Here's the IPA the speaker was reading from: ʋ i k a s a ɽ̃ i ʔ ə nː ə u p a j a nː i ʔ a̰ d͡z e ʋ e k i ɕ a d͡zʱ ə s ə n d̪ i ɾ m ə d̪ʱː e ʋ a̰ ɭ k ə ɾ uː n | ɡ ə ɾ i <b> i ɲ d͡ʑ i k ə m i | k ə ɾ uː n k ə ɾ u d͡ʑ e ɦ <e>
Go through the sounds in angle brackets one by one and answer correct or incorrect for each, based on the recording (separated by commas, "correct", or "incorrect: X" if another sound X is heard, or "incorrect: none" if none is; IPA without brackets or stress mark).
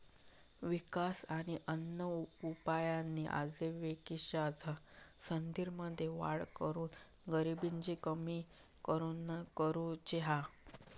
correct, incorrect: a